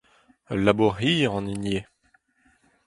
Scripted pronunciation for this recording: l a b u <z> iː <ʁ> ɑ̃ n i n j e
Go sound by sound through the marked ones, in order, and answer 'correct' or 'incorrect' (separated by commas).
incorrect, correct